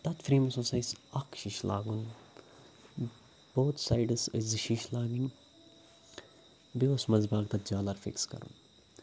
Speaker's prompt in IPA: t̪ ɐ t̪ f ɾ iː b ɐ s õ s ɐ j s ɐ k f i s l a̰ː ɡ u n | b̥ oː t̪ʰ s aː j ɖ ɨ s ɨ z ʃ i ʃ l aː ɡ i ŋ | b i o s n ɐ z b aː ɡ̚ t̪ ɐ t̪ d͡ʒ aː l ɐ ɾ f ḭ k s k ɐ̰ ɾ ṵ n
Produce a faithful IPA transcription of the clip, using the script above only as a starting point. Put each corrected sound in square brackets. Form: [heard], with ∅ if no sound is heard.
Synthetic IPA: t̪ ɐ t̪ f ɾ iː [m] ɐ s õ s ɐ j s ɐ k [ʃ] i [ʃ] l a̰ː ɡ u n | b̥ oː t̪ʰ s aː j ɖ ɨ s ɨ z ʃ i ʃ l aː ɡ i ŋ | b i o s [m] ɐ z b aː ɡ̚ t̪ ɐ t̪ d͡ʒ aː l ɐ ɾ f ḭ k s k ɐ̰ ɾ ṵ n